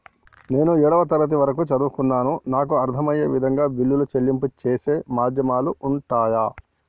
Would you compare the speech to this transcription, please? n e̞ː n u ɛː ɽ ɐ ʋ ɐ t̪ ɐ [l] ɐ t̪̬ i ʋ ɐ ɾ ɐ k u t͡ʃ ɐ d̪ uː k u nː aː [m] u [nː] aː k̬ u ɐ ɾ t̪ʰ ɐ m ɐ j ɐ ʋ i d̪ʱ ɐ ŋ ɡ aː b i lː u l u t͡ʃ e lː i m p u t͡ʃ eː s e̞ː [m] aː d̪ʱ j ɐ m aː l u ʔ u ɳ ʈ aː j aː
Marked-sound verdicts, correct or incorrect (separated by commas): incorrect, incorrect, incorrect, correct